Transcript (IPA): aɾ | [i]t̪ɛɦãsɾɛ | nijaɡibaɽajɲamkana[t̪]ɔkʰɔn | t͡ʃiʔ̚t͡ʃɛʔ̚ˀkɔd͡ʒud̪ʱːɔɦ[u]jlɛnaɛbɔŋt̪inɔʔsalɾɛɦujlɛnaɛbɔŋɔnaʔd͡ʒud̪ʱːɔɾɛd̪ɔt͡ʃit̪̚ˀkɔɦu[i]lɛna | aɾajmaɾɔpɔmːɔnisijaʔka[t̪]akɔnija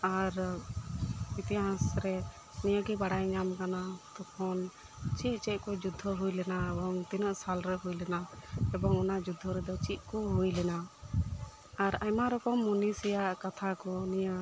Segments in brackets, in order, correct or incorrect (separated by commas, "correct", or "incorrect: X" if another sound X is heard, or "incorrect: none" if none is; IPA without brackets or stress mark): correct, correct, correct, incorrect: j, incorrect: t̪ʰ